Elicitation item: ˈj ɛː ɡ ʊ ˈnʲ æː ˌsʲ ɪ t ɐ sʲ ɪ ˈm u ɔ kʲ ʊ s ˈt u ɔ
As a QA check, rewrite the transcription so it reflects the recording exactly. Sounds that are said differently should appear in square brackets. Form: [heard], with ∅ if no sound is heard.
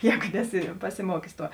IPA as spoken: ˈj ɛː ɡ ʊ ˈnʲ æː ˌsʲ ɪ [p] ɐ sʲ ɪ ˈm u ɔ kʲ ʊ s ˈt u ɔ

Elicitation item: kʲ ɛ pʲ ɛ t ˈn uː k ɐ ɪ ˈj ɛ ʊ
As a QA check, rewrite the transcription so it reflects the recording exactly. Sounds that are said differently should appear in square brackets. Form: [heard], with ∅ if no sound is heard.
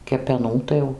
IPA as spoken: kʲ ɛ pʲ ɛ [∅] ˈn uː [t] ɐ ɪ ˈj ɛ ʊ

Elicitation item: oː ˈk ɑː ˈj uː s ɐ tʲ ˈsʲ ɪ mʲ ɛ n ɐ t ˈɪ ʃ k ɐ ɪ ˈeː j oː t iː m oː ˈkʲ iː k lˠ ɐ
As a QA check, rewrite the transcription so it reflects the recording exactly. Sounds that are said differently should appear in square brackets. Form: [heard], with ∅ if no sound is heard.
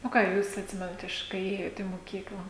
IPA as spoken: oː ˈk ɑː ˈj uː s ɐ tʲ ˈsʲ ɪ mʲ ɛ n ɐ t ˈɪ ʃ k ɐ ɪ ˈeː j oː t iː m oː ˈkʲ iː k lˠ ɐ

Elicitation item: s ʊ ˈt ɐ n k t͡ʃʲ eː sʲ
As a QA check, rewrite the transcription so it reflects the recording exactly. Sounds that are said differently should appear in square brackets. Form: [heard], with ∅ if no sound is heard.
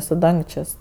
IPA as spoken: s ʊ [ˈd] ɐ [ŋ] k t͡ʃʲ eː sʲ

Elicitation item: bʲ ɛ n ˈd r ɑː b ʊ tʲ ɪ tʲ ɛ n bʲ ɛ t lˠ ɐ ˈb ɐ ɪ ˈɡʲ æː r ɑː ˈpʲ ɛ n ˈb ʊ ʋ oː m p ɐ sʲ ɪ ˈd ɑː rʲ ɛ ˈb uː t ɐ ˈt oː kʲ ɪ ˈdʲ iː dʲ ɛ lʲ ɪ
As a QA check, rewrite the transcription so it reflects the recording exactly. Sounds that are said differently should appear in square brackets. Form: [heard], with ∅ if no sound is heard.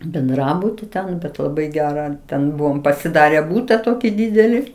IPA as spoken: bʲ ɛ n ˈd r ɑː b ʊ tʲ ɪ tʲ ɛ n bʲ ɛ t lˠ ɐ ˈb ɐ ɪ ˈɡʲ æː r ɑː [ˈtʲ] ɛ n ˈb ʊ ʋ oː m p ɐ sʲ ɪ ˈd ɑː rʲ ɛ ˈb uː t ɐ ˈt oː kʲ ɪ ˈdʲ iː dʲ ɛ lʲ ɪ

